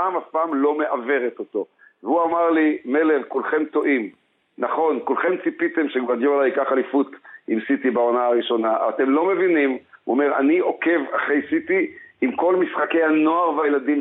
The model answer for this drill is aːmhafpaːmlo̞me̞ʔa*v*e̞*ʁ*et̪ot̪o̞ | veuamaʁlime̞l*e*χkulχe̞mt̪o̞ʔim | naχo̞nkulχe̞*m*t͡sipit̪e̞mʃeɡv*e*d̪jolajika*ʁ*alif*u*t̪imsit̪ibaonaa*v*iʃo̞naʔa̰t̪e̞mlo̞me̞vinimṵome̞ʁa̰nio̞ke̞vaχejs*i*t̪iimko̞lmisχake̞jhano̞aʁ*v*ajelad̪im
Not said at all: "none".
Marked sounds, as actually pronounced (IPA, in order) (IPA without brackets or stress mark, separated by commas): v, ʁ, e, m, a, χ, u, ʁ, i, v